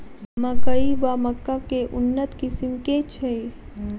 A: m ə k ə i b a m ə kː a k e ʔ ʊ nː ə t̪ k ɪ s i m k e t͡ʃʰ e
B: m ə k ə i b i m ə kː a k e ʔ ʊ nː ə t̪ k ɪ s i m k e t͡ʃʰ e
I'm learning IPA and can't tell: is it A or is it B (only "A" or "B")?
A